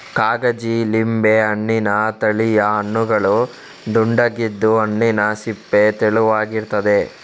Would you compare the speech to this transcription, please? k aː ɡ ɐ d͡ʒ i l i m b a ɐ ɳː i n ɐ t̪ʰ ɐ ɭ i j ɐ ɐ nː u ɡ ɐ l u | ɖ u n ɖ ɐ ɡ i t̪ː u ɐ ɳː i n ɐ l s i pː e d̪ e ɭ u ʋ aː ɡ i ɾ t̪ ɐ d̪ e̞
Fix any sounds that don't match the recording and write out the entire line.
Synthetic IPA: k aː ɡ ɐ d͡ʒ i l i m b e ɐ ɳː i n ɐ t̪ ɐ ɭ i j ɐ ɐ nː u ɡ ɐ ɭ u | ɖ u ɳ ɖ ɐ ɡ i d̪ː u ɐ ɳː i n ɐ s i pː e t̪ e ɭ u ʋ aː ɡ i ɾ t̪ ɐ d̪ e̞